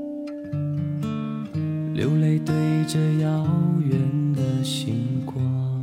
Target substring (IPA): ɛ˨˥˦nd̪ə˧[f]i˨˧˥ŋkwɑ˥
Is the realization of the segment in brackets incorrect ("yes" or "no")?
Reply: yes